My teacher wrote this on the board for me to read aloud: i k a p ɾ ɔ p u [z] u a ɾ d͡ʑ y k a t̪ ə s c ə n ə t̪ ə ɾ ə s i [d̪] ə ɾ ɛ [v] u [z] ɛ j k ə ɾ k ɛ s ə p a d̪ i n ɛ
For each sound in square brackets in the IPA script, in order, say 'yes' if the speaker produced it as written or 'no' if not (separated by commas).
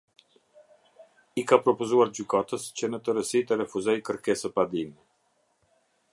yes, no, no, yes